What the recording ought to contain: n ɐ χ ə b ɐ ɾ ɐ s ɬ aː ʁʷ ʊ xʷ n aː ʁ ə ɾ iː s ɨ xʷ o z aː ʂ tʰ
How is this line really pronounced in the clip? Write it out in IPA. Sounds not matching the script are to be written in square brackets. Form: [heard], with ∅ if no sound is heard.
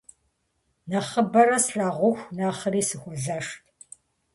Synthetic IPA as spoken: n ɐ χ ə b ɐ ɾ ɐ s ɬ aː ʁʷ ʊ xʷ n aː [χ] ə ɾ iː s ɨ xʷ [ɔ] z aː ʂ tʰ